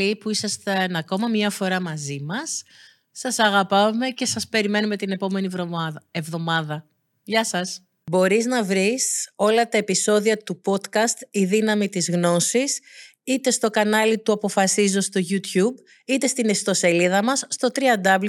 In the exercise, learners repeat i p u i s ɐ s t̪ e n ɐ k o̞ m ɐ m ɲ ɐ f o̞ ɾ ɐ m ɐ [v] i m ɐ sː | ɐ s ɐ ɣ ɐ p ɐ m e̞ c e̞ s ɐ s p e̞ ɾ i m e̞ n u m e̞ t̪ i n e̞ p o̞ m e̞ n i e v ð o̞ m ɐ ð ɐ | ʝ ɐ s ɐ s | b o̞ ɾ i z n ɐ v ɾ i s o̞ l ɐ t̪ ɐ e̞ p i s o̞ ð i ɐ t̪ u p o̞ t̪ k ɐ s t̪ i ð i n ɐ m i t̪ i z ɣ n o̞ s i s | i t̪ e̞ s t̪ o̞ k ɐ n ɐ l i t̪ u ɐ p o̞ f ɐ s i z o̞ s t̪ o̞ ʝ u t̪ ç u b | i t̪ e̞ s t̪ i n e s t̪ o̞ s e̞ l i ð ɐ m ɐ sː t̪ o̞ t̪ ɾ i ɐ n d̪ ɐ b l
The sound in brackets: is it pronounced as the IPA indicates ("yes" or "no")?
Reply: no